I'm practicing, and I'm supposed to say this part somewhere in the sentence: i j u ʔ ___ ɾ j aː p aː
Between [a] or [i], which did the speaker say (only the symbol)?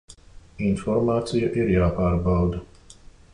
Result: i